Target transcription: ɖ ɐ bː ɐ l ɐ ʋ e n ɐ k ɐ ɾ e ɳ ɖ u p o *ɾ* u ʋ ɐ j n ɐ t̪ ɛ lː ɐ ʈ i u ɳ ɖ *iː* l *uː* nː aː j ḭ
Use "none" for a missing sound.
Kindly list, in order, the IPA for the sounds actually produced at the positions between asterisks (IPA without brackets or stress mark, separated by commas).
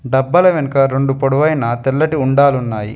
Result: ɽ, aː, u